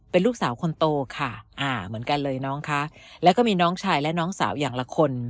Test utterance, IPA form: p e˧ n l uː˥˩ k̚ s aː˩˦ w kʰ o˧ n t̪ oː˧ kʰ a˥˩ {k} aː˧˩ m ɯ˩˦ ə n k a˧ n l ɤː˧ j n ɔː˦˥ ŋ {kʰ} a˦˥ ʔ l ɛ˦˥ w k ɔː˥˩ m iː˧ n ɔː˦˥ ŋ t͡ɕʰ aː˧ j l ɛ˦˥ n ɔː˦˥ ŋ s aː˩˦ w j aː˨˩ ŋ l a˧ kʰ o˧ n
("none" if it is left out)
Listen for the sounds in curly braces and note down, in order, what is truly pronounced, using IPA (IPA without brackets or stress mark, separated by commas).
ʔ, kʰ